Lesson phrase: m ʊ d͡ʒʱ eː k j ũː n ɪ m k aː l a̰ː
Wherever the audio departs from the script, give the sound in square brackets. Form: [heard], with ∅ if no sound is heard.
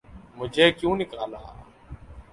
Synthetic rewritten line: m ʊ d͡ʒʱ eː k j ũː n ɪ [∅] k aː l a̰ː